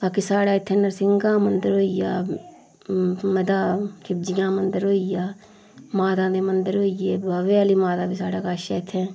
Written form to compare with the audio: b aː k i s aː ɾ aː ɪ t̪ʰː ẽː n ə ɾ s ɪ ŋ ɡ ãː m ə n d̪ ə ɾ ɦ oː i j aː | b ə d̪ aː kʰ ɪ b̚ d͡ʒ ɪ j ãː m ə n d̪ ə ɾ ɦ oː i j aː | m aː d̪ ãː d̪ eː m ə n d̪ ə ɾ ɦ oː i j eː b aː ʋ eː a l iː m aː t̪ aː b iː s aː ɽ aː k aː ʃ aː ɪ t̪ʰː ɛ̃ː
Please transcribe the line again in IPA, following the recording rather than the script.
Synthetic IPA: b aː k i s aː ɽ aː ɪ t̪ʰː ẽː n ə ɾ s ɪ ŋ ɡ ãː m ə n d̪ ə ɾ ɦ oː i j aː | m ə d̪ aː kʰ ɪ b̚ d͡ʒ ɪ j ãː m ə n d̪ ə ɾ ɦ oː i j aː | m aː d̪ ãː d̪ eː m ə n d̪ ə ɾ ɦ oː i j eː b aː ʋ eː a l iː m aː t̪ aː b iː s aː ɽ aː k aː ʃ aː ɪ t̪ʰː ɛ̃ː